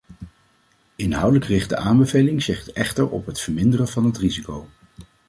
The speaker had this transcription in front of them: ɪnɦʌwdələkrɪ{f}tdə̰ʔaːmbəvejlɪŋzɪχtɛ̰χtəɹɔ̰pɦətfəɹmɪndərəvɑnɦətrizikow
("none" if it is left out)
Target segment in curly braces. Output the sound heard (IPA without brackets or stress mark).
χ